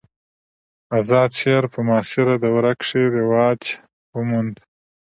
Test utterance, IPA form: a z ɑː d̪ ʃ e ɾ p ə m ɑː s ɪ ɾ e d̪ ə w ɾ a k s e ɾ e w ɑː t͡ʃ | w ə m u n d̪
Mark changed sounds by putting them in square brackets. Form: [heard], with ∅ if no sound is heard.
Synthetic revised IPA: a z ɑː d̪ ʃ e ɾ p ə m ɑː s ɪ ɾ [a] d̪ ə w ɾ a k [ʂ] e ɾ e w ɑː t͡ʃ | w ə m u n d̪